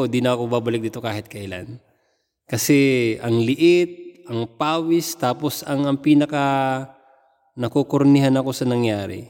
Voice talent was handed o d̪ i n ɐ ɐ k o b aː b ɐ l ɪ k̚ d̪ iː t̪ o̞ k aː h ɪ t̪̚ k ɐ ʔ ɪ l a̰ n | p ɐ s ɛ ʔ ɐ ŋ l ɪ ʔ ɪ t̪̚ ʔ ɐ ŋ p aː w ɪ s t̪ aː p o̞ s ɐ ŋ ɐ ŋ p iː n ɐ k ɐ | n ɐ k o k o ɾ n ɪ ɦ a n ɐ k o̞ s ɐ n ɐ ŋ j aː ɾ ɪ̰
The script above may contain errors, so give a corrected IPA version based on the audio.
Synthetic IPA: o d̪ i n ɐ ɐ k o b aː b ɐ l ɪ k̚ d̪ iː t̪ o̞ k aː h ɪ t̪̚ k ɐ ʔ ɪ l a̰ n | k ɐ s ɛ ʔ ɐ ŋ l ɪ ʔ ɪ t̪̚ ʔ ɐ ŋ p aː w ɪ s t̪ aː p o̞ s ɐ ŋ ɐ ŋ p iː n ɐ k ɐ | n ɐ k o k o ɾ n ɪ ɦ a n ɐ k o̞ s ɐ n ɐ ŋ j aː ɾ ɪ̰